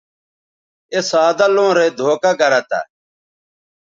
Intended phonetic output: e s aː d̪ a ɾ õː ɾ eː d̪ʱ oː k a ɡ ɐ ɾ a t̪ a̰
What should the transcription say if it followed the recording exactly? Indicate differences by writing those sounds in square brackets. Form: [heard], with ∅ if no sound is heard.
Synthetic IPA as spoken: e s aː d̪ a [l] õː ɾ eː d̪ʱ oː k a ɡ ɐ ɾ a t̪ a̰